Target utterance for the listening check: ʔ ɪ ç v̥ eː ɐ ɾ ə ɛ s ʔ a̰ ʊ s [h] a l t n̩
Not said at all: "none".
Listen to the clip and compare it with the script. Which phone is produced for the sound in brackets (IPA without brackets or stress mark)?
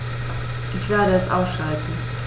ʃ